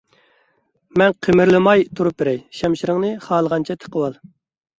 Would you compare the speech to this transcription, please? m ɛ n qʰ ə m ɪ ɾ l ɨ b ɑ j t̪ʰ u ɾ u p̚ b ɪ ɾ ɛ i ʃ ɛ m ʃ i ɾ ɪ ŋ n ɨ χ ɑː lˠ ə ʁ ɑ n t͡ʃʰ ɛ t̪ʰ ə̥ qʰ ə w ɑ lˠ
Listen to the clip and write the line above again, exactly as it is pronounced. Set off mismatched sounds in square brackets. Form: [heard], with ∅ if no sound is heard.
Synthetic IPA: m ɛ n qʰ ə m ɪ ɾ l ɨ [m] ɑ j t̪ʰ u ɾ u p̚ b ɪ ɾ ɛ [j] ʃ ɛ m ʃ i ɾ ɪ ŋ n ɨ χ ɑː lˠ ə ʁ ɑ n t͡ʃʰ ɛ t̪ʰ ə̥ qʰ ə w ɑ lˠ